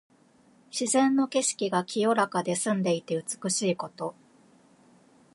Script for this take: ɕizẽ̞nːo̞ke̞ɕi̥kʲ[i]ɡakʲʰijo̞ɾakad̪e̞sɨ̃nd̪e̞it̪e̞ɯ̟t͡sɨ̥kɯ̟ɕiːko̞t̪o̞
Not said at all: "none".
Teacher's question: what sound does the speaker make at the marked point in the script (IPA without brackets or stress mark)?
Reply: i